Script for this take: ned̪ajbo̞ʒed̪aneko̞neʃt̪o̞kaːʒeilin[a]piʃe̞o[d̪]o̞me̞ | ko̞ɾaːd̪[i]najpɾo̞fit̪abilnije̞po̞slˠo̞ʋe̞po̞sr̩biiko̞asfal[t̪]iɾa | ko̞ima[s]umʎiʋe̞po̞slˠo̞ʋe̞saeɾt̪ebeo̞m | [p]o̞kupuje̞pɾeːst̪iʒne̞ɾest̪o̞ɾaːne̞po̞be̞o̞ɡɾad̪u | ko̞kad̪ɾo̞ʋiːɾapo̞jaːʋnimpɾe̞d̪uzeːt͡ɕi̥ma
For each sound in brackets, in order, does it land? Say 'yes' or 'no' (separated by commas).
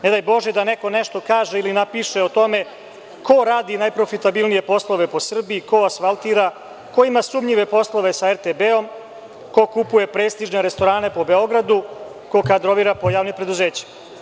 yes, no, yes, yes, yes, no